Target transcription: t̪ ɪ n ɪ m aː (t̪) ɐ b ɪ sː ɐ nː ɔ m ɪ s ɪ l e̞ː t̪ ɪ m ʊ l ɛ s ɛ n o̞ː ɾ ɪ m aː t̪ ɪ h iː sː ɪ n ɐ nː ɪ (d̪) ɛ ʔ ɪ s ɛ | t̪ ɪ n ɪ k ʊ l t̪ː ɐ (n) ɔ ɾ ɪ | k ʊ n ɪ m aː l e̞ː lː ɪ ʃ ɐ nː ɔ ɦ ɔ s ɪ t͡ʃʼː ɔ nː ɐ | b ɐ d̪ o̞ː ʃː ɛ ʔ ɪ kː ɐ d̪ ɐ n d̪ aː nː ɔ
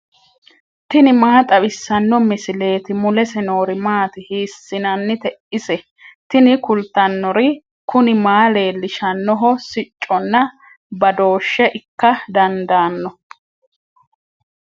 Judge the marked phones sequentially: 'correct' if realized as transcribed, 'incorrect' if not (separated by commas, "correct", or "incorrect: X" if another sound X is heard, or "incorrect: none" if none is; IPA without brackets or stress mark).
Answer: incorrect: t̪ʼ, incorrect: t̪, incorrect: nː